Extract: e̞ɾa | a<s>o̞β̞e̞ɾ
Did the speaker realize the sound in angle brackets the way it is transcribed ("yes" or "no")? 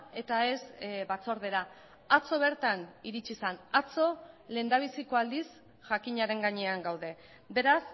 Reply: no